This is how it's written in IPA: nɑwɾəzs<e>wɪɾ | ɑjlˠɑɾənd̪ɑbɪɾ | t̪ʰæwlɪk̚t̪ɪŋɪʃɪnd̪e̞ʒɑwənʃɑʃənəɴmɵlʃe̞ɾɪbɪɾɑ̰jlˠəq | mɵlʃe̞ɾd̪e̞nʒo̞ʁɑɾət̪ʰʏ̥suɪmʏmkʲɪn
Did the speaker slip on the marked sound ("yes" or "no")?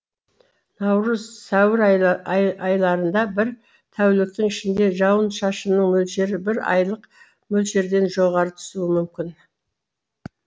yes